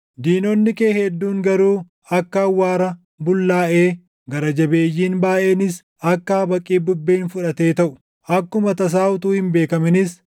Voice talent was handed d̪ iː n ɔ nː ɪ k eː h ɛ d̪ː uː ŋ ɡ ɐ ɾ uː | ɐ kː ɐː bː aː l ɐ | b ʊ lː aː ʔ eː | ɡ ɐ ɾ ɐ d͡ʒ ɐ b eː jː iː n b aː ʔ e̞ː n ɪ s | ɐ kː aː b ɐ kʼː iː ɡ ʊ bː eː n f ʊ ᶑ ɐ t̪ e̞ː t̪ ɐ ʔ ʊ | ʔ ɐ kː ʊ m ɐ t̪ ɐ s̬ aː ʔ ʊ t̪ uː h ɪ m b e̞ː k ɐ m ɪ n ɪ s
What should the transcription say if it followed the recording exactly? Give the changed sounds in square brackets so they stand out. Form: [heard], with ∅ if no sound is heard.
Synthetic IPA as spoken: d̪ iː n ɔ nː ɪ k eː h ɛ d̪ː uː ŋ ɡ ɐ ɾ uː | ɐ kː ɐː [wː] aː [ɾ] ɐ | b ʊ lː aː ʔ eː | ɡ ɐ ɾ ɐ d͡ʒ ɐ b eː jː iː n b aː ʔ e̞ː n ɪ s | ɐ kː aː b ɐ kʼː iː [b] ʊ bː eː n f ʊ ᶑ ɐ t̪ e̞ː t̪ ɐ ʔ ʊ | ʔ ɐ kː ʊ m ɐ t̪ ɐ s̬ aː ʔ ʊ t̪ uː h ɪ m b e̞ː k ɐ m ɪ n ɪ s